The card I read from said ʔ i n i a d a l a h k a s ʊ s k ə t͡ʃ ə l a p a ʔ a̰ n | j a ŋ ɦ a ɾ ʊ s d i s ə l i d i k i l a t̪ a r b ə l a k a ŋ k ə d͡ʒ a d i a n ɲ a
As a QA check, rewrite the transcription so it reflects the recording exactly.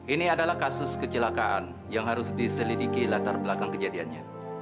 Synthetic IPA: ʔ i n i a d a l a h k a s ʊ s k ə t͡ʃ ə l a k a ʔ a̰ n | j a ŋ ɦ a ɾ ʊ s d i s ə l i d i k i l a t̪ a r b ə l a k a ŋ k ə d͡ʒ a d i a n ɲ a